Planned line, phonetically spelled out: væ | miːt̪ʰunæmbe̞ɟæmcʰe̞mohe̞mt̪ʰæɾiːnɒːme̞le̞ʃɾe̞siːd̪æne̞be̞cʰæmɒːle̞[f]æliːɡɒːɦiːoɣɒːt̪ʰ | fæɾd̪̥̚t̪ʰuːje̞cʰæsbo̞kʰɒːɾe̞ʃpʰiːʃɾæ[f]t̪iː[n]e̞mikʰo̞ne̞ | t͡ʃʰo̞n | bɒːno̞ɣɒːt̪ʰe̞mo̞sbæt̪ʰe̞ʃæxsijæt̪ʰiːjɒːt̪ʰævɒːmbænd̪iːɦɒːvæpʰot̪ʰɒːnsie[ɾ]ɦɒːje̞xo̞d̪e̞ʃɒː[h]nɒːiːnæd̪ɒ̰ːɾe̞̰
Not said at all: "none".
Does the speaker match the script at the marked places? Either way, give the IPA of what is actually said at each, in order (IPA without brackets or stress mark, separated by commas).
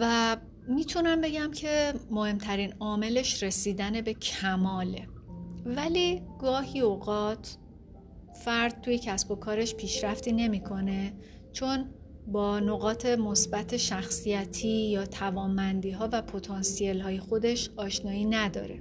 v, f, n, l, ʃ